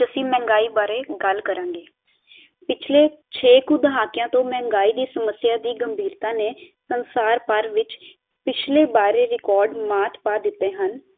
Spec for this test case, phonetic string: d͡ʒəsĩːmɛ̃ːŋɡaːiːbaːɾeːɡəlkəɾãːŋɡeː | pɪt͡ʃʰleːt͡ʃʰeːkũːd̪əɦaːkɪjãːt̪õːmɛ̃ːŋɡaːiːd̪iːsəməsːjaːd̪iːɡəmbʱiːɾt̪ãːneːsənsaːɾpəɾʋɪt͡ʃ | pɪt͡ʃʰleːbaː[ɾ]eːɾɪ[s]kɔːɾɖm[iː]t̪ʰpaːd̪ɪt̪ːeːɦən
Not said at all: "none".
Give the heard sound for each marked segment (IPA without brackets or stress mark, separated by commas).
ɾ, none, aː